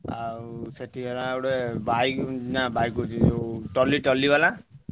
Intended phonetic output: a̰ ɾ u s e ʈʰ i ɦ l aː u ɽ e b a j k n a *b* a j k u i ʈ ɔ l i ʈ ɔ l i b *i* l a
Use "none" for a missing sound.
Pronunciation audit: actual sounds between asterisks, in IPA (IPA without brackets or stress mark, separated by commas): b, a